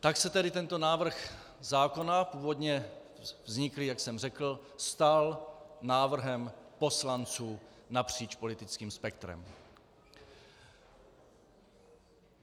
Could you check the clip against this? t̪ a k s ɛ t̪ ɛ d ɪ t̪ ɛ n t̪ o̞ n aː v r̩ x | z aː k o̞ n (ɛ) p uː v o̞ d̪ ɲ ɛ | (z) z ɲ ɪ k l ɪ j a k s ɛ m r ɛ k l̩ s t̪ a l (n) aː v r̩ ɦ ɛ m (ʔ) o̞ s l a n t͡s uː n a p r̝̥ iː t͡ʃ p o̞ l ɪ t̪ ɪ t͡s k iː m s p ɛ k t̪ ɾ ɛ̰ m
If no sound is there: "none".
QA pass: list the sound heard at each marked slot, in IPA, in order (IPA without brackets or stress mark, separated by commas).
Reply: a, v, n, p